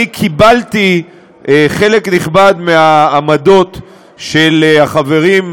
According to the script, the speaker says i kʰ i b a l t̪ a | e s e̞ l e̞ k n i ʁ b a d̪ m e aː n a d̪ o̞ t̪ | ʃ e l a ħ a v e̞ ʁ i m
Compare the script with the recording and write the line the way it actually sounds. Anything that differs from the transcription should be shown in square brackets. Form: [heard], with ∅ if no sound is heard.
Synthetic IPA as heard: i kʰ i b a l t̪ [i] | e [χ] e̞ l e̞ k n i [χ] b a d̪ m e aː [m] a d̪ o̞ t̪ | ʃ e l a [χ] a v e̞ ʁ i m